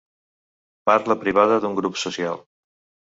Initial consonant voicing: voiceless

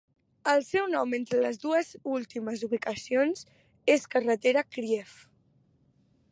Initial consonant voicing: voiced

